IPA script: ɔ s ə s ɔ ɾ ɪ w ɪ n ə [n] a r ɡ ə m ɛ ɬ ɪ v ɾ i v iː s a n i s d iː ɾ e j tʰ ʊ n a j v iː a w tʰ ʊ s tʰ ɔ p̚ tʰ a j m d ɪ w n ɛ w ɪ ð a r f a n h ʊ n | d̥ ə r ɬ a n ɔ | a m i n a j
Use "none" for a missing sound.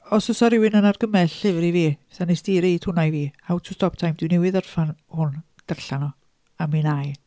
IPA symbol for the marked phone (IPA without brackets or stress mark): n